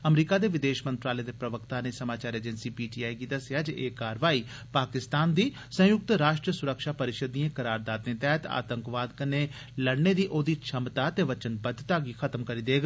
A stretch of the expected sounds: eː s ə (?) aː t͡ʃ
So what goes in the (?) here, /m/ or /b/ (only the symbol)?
m